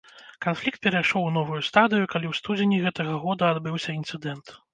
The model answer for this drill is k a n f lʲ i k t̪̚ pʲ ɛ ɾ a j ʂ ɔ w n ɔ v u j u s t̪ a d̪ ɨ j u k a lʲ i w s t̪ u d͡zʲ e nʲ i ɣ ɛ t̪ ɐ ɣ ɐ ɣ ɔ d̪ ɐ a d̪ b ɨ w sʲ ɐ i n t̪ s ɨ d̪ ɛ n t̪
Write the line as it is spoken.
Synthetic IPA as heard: k a n f lʲ i k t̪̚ pʲ ɛ ɾ a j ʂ ɔ w n ɔ v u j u s t̪ a d̪ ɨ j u k a lʲ i w s t̪ u d͡zʲ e nʲ i ɣ ɛ t̪ ɐ ɣ ɐ ɣ ɔ d̪ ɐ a d̪ b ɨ w sʲ ɐ i n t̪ s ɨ d̪ ɛ n t̪